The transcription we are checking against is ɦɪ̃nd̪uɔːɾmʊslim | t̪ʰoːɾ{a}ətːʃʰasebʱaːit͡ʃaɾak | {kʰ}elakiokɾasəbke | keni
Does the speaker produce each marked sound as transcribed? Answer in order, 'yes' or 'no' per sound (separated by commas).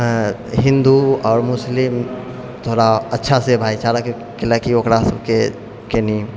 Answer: yes, no